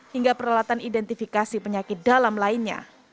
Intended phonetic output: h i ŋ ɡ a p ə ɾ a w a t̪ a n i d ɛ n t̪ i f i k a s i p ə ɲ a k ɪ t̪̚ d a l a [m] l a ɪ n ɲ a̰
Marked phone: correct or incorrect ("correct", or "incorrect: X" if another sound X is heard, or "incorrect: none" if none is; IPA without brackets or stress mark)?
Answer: correct